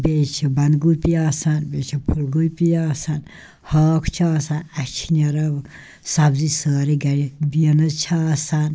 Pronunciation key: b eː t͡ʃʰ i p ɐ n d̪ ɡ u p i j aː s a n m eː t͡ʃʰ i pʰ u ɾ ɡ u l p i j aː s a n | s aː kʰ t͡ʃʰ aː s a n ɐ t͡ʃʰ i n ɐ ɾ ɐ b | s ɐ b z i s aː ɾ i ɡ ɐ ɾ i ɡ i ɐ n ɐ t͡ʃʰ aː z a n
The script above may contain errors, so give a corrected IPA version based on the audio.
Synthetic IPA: b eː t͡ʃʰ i b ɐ n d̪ ɡ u p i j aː s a n b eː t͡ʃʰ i pʰ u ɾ ɡ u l p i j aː s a n | h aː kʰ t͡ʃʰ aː s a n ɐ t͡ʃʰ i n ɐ ɾ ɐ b | s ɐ b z i s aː ɾ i ɡ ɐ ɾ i b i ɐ n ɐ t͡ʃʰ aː s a n